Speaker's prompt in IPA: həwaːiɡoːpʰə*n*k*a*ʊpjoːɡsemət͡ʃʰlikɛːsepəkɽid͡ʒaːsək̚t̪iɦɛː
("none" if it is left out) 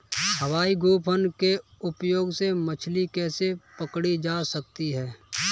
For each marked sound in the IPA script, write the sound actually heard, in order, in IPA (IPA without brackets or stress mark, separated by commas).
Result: n, e